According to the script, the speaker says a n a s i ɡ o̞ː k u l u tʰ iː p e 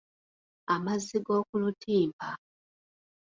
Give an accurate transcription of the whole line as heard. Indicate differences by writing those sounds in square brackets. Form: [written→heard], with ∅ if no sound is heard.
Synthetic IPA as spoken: a [n→m] a [s→z] i ɡ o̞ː k u l u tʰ iː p [e→a]